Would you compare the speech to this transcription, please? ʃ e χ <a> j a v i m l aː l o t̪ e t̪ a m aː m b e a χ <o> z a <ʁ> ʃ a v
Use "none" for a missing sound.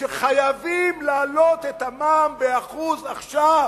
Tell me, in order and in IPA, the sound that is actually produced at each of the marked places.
a, u, χ

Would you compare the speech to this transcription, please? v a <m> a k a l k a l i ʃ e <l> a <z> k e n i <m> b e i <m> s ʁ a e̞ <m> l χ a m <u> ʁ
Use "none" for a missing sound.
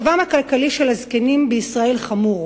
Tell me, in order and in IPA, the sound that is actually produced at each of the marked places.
m, l, z, m, none, none, u

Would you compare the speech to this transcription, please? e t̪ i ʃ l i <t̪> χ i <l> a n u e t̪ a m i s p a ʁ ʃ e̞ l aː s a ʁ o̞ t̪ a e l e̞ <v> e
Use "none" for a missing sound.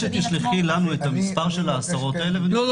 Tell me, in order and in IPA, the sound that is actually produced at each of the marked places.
none, l, v

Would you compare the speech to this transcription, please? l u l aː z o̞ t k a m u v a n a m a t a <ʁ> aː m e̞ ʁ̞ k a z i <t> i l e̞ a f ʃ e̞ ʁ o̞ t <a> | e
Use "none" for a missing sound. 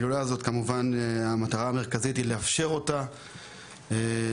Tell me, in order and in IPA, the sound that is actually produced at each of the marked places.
ʁ, t, a

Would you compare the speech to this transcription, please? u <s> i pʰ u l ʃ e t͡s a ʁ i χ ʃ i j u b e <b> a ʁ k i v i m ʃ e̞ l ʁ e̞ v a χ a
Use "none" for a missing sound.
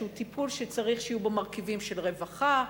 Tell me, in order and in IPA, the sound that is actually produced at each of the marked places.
t, m

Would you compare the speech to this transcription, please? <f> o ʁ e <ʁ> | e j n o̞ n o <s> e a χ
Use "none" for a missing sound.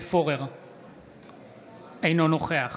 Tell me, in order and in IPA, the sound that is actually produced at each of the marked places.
f, ʁ, χ

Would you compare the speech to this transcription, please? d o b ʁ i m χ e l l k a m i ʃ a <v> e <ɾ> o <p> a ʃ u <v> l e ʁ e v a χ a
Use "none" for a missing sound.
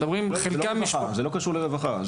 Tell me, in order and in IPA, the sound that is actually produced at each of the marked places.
z, l, k, ʁ

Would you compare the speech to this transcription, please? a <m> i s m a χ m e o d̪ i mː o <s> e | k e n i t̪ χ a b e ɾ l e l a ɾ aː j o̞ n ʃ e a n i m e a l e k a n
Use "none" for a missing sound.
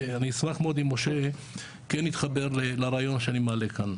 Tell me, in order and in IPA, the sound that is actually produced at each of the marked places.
n, ʃ

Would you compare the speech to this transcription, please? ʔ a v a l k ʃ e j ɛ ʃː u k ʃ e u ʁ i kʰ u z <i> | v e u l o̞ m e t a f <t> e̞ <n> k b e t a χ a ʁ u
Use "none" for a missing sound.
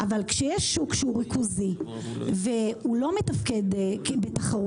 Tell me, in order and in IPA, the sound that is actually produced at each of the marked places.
i, k, d

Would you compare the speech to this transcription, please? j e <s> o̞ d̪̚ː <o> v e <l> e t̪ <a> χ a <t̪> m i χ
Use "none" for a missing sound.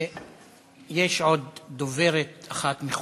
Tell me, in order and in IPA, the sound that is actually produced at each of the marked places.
ʃ, o, ɾ, a, t̪

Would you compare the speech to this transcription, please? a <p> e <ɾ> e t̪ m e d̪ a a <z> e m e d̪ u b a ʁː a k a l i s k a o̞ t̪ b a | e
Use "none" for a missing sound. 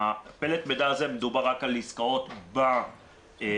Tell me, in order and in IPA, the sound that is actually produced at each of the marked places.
p, l, z

